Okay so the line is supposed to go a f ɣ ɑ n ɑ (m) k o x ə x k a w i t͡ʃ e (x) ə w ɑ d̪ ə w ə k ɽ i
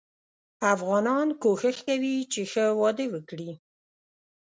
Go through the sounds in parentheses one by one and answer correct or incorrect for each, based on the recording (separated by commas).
incorrect, correct